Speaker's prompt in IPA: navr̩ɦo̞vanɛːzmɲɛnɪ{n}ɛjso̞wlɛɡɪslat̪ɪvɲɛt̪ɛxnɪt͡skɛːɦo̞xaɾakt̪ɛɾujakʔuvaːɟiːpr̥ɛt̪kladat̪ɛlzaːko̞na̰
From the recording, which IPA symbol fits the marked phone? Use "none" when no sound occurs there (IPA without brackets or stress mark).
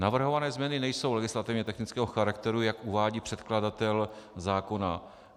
n